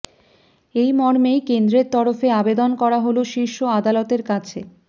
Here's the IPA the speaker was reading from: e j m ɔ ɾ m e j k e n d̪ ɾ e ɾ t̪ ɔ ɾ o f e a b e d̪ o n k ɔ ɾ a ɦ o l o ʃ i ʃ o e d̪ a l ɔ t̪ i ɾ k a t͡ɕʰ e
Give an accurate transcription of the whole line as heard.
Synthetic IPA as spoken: e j m ɔ ɾ m e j k e n d̪ ɾ e ɾ t̪ ɔ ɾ o f e a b e d̪ o n k ɔ ɾ a ɦ o l o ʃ i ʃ o a d̪ a l ɔ t̪ e ɾ k a t͡ɕʰ e